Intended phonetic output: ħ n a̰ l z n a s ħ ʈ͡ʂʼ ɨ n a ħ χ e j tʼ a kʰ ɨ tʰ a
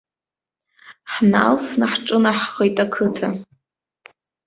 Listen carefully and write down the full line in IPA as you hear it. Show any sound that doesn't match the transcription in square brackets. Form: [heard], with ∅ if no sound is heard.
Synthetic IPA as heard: ħ n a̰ l [s] n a [∅] ħ ʈ͡ʂʼ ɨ n a ħ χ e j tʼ a kʰ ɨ tʰ a